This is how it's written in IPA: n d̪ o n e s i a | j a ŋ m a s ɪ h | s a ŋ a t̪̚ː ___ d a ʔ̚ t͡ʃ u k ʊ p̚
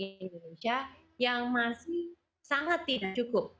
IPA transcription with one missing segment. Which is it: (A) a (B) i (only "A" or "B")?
B